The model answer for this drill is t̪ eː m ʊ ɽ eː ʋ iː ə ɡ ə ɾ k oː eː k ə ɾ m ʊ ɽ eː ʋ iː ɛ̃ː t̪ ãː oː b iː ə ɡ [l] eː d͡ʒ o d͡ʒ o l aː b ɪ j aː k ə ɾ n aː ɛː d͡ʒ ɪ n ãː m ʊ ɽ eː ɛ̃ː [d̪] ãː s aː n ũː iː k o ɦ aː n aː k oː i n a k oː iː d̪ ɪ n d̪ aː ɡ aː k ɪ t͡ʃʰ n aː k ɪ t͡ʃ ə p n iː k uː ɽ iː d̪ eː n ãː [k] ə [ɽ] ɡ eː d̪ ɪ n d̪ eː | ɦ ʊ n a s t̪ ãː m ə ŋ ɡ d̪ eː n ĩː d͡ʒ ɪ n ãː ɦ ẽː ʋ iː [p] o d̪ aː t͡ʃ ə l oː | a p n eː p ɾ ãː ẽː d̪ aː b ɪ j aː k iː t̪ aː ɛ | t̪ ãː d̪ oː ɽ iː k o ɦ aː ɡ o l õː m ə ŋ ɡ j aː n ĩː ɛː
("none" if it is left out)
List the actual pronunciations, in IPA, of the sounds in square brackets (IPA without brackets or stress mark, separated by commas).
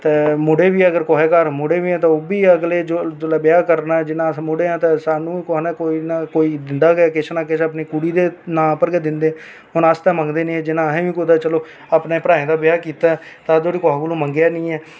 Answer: l, t̪, p, ɾ, k